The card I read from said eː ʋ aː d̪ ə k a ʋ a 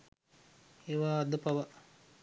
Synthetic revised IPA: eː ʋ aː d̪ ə p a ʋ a